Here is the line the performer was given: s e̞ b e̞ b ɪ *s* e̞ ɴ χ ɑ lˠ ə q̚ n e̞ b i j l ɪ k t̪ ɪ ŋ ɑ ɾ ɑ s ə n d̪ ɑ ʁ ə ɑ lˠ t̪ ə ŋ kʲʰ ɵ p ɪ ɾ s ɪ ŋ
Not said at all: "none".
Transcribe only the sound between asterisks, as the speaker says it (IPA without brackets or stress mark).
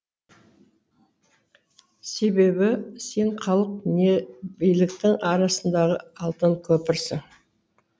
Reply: s